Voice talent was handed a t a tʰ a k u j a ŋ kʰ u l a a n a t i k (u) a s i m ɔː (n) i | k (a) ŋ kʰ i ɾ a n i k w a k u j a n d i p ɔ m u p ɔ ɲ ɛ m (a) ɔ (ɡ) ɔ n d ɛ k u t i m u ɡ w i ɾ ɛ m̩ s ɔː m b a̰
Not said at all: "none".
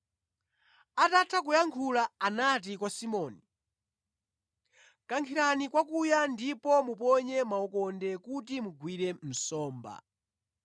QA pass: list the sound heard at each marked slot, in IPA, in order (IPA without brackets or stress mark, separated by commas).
w, n, a, a, k